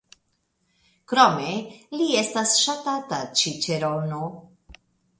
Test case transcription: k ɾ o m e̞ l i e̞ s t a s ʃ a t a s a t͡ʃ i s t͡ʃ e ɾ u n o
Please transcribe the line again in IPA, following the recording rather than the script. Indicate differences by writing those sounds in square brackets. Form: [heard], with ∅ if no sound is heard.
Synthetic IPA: k ɾ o m e̞ l i e̞ s t a s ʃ a t a [t] a t͡ʃ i [∅] t͡ʃ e ɾ [o] n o